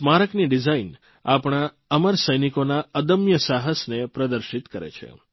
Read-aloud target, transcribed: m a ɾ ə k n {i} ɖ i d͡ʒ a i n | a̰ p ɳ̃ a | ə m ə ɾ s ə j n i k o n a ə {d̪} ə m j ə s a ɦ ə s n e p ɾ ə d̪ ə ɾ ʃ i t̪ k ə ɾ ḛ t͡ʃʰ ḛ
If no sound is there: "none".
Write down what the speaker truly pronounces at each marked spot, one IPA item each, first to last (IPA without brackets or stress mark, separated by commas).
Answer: i, d̪